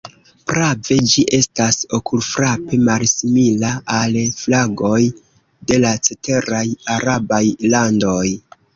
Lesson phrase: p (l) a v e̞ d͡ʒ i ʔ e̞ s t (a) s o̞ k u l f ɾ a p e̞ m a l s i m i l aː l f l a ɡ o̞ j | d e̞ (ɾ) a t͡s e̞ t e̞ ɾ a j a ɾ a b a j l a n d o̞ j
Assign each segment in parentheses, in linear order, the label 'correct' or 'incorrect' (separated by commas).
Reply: incorrect, correct, incorrect